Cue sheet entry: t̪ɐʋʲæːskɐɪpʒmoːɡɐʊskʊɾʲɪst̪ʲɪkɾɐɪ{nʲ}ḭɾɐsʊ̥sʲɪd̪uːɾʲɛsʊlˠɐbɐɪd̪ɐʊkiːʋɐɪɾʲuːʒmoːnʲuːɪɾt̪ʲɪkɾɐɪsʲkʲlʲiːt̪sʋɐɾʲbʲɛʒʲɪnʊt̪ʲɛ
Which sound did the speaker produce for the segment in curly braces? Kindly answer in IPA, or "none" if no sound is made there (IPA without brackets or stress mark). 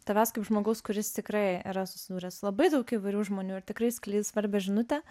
none